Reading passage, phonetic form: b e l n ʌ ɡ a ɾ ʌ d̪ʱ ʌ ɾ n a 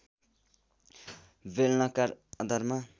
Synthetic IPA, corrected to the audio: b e l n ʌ k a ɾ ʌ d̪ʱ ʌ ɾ m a